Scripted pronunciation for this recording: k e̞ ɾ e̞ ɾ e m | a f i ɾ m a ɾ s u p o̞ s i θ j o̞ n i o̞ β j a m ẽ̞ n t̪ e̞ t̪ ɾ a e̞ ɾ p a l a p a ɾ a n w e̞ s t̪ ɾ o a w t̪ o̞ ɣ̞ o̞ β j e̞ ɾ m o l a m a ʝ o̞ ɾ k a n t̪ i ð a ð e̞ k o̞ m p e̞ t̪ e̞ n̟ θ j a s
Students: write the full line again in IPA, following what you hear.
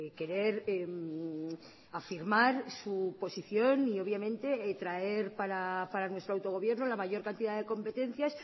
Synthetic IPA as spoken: k e̞ ɾ e̞ ɾ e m | a f i ɾ m a ɾ s u p o̞ s i θ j o̞ n i o̞ β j a m ẽ̞ n t̪ e̞ t̪ ɾ a e̞ ɾ p a ɾ a p a ɾ a n w e̞ s t̪ ɾ o a w t̪ o̞ ɣ̞ o̞ β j e̞ ɾ n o l a m a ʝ o̞ ɾ k a n t̪ i ð a ð e̞ k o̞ m p e̞ t̪ e̞ n̟ θ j a s